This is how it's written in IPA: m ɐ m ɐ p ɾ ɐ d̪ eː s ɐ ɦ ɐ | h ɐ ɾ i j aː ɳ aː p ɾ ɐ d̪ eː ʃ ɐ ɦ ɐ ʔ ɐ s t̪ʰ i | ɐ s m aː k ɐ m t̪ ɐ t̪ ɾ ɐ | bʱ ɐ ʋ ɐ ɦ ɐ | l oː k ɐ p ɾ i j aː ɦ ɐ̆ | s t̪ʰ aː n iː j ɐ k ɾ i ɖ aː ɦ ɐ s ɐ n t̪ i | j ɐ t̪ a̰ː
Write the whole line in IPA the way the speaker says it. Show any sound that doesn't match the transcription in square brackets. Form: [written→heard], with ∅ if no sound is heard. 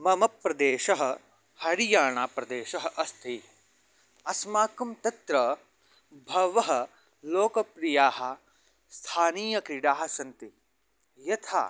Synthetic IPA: m ɐ m ɐ p ɾ ɐ d̪ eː [s→ʃ] ɐ ɦ ɐ | h ɐ ɾ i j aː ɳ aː p ɾ ɐ d̪ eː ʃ ɐ ɦ ɐ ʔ ɐ s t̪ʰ i | ɐ s m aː k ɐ m t̪ ɐ t̪ ɾ ɐ | bʱ ɐ ʋ ɐ ɦ ɐ | l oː k ɐ p ɾ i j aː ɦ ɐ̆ | s t̪ʰ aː n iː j ɐ k ɾ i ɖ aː ɦ ɐ s ɐ n t̪ i | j ɐ [t̪→t̪ʰ] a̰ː